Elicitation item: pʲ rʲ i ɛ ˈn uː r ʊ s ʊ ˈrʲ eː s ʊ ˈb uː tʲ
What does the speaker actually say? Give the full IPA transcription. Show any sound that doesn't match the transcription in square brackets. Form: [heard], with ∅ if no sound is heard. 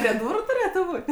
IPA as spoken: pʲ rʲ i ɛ [ˈd] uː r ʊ [t] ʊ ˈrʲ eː [t] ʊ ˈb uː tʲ

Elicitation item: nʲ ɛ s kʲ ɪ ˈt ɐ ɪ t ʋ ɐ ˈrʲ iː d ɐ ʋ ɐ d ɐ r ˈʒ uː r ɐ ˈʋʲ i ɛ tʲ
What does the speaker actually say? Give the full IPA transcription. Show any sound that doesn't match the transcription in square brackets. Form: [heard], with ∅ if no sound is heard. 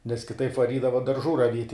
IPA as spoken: nʲ ɛ s kʲ ɪ ˈt ɐ ɪ [p] ʋ ɐ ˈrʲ iː d ɐ ʋ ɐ d ɐ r ˈʒ uː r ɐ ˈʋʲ i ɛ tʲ

